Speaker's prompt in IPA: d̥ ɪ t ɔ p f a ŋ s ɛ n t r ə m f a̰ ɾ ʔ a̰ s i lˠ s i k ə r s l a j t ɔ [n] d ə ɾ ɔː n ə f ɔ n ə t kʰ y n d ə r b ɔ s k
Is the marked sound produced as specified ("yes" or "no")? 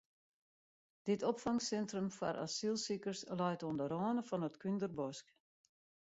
yes